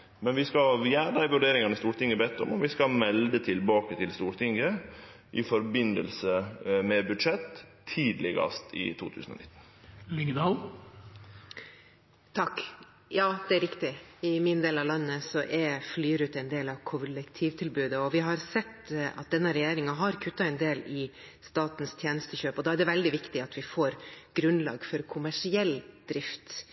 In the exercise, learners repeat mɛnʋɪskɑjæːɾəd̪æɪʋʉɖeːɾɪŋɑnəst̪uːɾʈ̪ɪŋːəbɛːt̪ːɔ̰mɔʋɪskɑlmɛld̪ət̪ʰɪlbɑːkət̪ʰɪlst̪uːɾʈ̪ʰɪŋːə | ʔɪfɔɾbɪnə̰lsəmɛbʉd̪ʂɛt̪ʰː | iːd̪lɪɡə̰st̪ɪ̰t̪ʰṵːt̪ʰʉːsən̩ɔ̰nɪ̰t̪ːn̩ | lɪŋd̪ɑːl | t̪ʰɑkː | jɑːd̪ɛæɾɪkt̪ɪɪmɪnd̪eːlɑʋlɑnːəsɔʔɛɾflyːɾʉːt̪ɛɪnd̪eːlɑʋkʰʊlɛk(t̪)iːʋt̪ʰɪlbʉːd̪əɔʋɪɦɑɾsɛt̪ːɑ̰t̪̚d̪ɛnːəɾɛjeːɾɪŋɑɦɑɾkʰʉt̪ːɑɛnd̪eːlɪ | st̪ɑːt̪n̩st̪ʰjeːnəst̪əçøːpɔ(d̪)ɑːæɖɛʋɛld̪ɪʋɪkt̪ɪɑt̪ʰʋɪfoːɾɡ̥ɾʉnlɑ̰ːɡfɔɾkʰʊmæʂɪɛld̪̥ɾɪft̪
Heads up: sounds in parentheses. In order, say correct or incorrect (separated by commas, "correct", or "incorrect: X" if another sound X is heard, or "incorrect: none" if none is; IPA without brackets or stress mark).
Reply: incorrect: t̪ʰ, correct